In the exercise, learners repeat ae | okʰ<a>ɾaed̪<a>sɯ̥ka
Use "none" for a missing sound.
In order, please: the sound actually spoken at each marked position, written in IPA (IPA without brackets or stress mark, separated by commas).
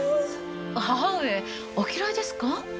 i, e